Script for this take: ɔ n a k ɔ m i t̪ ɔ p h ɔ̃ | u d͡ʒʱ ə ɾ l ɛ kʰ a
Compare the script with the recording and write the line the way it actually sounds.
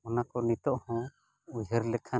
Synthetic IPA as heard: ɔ n a k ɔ n i t̪ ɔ ʔ h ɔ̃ | u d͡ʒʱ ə ɾ l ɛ kʰ a